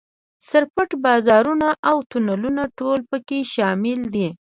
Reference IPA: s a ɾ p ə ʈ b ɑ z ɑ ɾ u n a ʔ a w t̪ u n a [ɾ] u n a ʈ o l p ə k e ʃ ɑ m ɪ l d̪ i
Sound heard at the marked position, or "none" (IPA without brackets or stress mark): l